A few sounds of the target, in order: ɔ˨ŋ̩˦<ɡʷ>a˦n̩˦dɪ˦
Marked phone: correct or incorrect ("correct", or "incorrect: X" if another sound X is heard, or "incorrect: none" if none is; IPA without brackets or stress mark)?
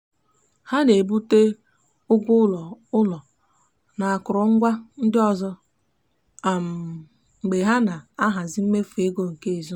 correct